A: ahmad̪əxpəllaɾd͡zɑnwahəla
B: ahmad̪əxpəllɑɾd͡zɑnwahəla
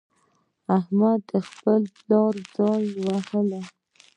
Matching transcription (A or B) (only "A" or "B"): B